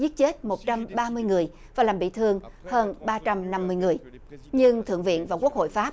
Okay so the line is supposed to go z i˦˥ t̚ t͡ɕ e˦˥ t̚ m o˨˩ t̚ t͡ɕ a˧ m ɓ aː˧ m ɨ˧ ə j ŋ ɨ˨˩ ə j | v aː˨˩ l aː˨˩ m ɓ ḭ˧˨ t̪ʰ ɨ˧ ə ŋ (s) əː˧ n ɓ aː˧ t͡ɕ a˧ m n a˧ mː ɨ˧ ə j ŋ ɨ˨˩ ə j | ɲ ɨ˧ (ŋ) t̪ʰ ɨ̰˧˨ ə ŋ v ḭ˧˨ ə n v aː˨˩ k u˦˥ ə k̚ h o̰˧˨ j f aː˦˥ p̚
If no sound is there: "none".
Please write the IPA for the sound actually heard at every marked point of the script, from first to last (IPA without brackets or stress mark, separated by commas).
h, ŋ